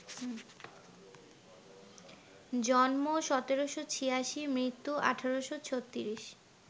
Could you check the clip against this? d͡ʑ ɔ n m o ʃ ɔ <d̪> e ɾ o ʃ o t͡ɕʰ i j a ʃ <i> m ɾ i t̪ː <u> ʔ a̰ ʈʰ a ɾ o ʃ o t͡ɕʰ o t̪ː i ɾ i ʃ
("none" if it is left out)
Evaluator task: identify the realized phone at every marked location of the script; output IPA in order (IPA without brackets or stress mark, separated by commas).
t̪, i, u